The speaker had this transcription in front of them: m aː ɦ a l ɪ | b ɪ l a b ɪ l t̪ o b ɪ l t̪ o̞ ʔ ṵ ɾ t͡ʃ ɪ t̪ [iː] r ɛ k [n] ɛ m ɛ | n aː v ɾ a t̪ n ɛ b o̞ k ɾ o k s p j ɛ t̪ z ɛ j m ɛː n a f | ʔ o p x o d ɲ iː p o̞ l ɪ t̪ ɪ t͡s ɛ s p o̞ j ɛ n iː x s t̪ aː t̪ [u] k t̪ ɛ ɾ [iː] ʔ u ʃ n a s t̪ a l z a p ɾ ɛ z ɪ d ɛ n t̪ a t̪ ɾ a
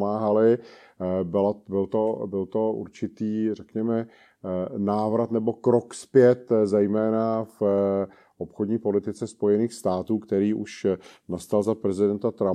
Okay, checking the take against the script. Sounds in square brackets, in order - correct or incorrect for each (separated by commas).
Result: correct, incorrect, incorrect, correct